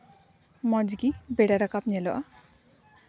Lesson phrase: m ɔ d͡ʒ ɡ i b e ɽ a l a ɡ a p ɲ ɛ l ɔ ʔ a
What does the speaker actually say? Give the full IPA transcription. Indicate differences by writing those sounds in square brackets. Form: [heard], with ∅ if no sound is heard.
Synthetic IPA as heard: m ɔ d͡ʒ ɡ i b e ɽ a [ɾ] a [k] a p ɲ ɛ l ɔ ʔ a